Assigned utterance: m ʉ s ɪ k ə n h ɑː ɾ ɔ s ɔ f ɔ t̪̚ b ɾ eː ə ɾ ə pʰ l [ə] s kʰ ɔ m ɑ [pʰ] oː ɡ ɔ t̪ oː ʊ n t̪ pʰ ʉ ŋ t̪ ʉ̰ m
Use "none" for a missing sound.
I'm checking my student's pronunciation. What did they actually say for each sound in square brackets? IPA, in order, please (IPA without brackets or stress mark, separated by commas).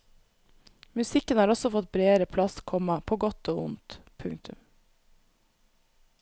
ɑ, pʰ